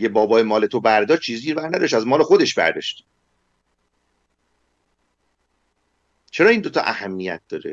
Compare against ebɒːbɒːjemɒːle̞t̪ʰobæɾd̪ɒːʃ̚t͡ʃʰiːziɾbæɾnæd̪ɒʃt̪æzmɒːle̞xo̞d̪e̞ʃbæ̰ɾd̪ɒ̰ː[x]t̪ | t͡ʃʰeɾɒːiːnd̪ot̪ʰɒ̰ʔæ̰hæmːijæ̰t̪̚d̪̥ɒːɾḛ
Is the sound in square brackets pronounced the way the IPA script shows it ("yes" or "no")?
no